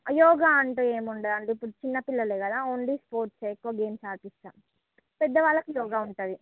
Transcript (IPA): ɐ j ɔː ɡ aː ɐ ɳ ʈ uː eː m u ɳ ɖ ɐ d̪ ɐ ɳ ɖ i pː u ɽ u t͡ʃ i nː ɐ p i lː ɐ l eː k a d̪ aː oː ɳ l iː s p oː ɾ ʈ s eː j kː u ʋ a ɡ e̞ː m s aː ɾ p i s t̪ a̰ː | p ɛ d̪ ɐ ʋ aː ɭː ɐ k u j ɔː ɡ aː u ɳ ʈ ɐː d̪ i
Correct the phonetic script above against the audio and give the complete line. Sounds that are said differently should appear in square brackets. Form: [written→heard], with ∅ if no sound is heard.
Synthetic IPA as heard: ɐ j ɔː ɡ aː ɐ ɳ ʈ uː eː m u ɳ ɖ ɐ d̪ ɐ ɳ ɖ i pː u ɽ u t͡ʃ i nː ɐ p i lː ɐ l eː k [a→ɐ] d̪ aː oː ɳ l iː s p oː ɾ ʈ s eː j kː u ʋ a ɡ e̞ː m s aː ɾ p i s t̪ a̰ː | p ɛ [d̪→d̪ː] ɐ ʋ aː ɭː ɐ k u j ɔː ɡ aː u ɳ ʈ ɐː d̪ i